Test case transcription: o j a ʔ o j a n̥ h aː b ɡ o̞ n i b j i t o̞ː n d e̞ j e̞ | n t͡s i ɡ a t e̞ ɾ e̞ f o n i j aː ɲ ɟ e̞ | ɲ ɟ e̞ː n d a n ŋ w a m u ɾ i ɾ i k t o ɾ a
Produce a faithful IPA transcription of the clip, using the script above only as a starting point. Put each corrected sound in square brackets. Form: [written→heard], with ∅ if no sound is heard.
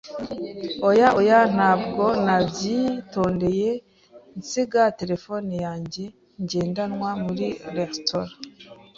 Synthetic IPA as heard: o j a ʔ o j a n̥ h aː b ɡ o̞ n [i→a] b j i t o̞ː n d e̞ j e̞ | n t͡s i ɡ a t e̞ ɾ e̞ f o n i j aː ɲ ɟ e̞ | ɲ ɟ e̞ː n d a n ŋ w a m u ɾ i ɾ [i→e] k t o ɾ a

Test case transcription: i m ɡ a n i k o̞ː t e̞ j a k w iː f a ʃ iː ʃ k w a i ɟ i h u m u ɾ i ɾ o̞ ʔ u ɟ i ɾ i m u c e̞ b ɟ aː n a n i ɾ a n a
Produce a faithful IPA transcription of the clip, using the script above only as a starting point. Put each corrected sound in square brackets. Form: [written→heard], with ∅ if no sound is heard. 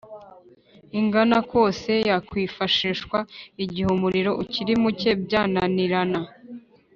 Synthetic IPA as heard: i [m→ŋ] ɡ a n [i→a] k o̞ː [t→s] e̞ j a k w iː f a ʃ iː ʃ k w a i ɟ i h u m u ɾ i ɾ o̞ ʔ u [ɟ→c] i ɾ i m u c e̞ b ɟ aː n a n i ɾ a n a

